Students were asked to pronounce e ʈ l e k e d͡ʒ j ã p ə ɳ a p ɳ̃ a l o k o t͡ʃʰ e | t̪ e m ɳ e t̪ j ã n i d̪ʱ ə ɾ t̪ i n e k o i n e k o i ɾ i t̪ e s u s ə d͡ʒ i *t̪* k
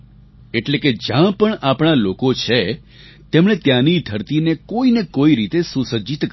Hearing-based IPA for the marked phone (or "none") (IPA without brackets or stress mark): t̪